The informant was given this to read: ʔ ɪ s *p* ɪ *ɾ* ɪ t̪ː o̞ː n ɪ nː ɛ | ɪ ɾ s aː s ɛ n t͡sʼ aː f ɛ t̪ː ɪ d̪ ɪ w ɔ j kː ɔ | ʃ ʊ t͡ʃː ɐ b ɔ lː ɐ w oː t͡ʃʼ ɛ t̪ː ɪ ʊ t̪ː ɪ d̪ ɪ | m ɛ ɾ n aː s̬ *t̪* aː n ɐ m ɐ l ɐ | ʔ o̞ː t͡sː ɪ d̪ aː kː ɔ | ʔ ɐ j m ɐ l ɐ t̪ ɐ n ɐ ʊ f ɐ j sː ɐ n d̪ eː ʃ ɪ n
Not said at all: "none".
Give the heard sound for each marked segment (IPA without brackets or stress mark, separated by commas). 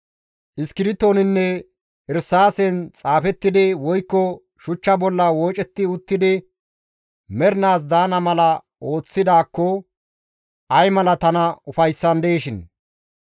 k, ɾ, d̪